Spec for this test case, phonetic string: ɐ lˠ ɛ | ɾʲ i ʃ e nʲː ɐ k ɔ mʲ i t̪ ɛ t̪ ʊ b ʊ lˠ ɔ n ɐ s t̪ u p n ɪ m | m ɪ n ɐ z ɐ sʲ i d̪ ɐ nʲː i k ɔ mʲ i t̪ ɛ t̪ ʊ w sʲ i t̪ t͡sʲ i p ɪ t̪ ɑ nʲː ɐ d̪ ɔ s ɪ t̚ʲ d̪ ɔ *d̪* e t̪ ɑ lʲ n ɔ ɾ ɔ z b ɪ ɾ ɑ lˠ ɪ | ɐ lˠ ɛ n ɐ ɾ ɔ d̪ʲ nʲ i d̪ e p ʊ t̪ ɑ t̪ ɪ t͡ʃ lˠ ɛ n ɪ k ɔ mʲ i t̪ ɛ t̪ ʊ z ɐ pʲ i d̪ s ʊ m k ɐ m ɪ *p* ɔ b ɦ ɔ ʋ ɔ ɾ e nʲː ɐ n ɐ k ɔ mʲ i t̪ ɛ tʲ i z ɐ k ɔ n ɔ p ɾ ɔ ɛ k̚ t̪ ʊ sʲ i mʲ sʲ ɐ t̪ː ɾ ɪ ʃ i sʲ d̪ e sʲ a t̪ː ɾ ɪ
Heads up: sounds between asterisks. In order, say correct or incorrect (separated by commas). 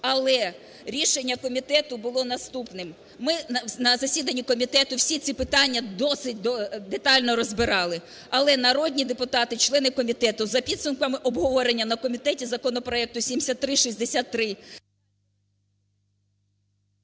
correct, incorrect